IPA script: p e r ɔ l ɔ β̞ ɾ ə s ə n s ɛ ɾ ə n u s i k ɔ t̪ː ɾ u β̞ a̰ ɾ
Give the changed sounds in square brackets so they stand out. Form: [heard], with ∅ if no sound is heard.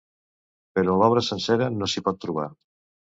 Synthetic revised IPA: p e [ɾ] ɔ l ɔ β̞ ɾ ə s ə n s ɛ ɾ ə n [o] s i [p] ɔ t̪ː ɾ u β̞ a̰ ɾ